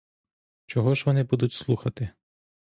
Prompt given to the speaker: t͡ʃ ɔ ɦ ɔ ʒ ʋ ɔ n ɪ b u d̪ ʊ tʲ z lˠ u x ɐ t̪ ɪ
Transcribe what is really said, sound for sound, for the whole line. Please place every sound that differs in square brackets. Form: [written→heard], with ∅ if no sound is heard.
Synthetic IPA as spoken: t͡ʃ ɔ ɦ ɔ ʒ ʋ ɔ n ɪ b u d̪ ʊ tʲ [z→s] lˠ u x ɐ t̪ ɪ